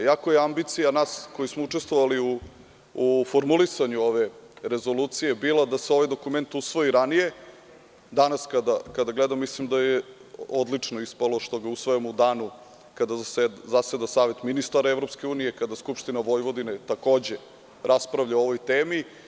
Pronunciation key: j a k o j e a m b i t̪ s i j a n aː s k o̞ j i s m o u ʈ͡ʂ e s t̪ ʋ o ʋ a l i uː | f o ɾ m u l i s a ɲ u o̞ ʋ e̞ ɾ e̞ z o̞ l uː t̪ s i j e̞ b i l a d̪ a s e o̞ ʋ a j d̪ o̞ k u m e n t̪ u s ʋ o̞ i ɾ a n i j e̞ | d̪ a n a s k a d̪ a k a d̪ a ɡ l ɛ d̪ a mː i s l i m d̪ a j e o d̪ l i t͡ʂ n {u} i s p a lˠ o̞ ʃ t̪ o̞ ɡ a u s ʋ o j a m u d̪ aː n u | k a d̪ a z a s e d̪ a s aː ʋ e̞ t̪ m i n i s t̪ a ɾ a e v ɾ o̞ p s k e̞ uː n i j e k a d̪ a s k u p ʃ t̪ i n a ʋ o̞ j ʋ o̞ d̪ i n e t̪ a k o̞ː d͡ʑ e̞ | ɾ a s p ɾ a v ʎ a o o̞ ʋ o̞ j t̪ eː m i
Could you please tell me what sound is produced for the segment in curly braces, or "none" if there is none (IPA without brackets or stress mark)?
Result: o